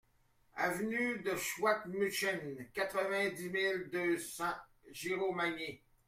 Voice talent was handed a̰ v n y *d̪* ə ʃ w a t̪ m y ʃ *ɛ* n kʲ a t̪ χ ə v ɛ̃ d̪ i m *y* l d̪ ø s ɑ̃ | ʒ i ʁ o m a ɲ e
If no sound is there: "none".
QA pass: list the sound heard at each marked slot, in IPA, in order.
d̪, ɛ, i

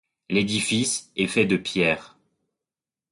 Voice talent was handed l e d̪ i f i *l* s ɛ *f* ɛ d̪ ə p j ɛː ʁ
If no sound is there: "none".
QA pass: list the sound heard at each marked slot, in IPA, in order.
none, f

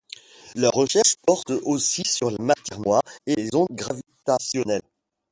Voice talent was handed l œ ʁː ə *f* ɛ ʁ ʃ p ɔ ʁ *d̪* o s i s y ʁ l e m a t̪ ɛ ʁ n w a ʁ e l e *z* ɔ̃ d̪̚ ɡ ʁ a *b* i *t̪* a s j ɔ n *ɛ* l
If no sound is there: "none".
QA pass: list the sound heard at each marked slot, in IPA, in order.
ʃ, t̪, z, v, t̪, ɛ

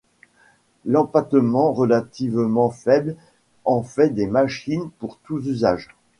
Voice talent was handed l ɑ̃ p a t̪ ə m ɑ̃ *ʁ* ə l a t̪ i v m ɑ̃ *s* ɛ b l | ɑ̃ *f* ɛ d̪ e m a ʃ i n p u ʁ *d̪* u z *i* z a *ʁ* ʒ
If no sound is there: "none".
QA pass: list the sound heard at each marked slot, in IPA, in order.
ʁ, f, f, t̪, y, none

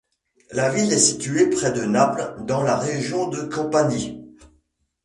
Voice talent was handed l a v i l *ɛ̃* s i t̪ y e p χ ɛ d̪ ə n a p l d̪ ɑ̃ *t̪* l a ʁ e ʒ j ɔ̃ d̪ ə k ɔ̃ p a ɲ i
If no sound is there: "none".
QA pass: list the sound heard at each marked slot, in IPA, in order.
ɛ, none

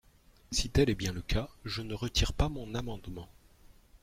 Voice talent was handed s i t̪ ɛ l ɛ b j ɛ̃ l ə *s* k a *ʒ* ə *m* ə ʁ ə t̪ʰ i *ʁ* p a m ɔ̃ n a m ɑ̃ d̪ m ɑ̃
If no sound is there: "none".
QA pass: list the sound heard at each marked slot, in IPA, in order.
none, ʒ, n, ʁ

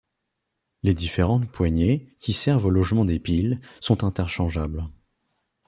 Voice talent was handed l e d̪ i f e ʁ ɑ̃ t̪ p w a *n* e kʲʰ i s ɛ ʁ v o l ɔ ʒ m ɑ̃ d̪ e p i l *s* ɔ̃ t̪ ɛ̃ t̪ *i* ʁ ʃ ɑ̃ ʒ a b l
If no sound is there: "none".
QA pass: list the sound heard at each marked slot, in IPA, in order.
ɲ, s, ɛ

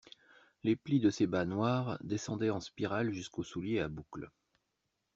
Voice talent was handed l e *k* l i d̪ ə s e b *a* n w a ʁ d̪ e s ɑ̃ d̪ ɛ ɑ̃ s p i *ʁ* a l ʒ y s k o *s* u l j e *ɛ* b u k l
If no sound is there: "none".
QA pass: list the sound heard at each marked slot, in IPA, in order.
p, a, ʁ, s, a

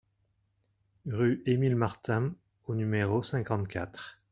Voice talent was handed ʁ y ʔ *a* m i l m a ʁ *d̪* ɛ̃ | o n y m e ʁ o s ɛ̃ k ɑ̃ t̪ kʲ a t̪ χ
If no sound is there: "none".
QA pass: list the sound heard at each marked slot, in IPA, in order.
e, t̪

